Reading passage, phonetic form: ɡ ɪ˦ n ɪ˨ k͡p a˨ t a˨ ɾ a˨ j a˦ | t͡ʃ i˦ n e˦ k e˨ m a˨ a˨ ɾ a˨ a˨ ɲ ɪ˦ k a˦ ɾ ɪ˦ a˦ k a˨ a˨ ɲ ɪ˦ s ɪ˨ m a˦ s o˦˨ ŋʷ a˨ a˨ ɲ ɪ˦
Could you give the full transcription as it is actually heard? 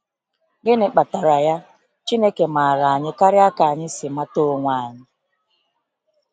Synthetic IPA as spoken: ɡ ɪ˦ n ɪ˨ k͡p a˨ t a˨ ɾ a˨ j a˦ | t͡ʃ i˦ n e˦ k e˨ m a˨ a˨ ɾ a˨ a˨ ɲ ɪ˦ k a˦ ɾ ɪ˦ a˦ k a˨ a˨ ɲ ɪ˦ s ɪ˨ m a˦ t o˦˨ ŋʷ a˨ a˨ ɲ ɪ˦